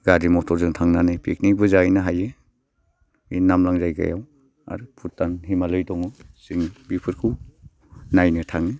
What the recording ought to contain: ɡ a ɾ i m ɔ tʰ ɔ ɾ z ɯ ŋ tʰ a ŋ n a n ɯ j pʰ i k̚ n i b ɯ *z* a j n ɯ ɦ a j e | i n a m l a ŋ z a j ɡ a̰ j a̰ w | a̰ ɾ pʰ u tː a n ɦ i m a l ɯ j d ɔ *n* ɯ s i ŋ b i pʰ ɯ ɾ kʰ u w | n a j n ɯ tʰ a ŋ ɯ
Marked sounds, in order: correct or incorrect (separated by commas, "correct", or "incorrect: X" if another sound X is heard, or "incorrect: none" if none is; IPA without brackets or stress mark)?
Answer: correct, incorrect: ŋ